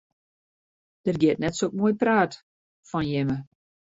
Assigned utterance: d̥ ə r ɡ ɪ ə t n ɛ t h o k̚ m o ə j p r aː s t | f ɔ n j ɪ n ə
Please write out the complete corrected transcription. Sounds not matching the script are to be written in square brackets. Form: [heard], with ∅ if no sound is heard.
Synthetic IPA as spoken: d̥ ə r ɡ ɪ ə t n ɛ t [s] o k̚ m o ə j p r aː [∅] t | f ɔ n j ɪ [m] ə

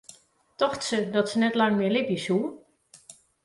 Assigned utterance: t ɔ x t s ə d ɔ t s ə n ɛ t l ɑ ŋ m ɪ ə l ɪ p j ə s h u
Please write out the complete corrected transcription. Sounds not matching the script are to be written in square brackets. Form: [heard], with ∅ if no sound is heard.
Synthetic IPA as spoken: t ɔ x t s ə d ɔ t s ə n ɛ t l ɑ ŋ m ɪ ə l ɪ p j ə s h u

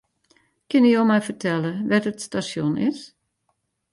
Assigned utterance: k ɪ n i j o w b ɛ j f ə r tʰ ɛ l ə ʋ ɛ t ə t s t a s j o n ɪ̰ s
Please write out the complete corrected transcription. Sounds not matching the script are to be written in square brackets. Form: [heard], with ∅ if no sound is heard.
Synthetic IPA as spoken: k ɪ n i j o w [m] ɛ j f ə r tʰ ɛ l ə ʋ ɛ t ə t s t a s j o n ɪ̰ s

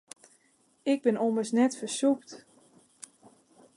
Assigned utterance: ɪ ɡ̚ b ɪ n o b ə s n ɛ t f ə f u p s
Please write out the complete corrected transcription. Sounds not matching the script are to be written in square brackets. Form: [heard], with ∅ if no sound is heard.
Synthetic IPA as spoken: ɪ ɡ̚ b ɪ n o [m] ə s n ɛ t f ə [s] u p [t]

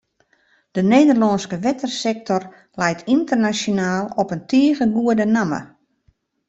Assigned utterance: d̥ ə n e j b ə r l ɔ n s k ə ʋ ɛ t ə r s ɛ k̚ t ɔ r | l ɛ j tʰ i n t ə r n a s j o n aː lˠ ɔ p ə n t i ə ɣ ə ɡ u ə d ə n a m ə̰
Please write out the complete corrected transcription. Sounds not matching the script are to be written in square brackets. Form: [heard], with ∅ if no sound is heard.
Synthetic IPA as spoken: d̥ ə n e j [d] ə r l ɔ n s k ə ʋ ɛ t ə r s ɛ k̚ t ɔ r | l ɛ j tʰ i n t ə r n a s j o n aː lˠ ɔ p ə n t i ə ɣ ə ɡ u ə d ə n a m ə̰

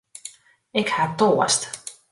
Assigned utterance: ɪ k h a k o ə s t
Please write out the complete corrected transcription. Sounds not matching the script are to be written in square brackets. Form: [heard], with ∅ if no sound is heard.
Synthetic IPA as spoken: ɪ k h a [t] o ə s t

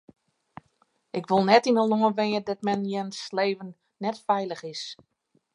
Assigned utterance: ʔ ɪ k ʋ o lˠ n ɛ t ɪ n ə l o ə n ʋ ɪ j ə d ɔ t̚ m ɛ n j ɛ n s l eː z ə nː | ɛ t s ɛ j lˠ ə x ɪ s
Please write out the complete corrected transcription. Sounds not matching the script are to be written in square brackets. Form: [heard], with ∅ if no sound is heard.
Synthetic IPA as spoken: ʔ ɪ k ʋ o lˠ n ɛ t [i] n ə l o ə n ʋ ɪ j ə d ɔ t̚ m ɛ n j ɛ n s l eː [v] ə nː | ɛ t [f] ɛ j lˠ ə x ɪ s

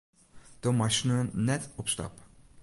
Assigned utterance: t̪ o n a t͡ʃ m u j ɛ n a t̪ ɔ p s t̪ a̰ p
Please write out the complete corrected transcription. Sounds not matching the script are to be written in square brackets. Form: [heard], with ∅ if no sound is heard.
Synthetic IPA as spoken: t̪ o [m] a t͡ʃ [n] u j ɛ n [ɛ] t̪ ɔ p s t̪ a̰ p

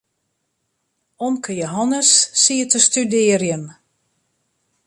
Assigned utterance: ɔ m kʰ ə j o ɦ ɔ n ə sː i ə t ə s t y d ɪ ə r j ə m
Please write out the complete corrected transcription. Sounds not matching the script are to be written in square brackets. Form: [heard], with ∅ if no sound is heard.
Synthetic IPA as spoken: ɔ m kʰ ə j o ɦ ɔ n ə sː i ə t ə s t y d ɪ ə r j ə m

